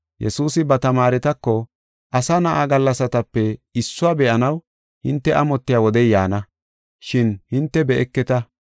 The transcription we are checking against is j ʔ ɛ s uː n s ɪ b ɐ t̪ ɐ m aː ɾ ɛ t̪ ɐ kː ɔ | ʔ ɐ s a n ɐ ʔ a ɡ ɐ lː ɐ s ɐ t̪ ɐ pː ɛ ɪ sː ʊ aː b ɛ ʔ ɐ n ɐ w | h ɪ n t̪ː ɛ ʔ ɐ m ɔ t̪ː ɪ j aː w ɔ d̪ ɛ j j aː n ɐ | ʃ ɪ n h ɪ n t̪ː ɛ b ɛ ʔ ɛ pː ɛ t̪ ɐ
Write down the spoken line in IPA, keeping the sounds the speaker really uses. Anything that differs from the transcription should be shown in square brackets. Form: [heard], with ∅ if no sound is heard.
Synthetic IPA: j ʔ ɛ s uː [∅] s ɪ b ɐ t̪ ɐ m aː ɾ ɛ t̪ ɐ kː ɔ | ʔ ɐ s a n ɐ ʔ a ɡ ɐ lː ɐ s ɐ t̪ ɐ pː ɛ ɪ sː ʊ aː b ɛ ʔ ɐ n ɐ w | h ɪ n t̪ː ɛ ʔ ɐ m ɔ t̪ː ɪ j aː w ɔ d̪ ɛ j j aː n ɐ | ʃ ɪ n h ɪ n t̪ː ɛ b ɛ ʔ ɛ [kː] ɛ t̪ ɐ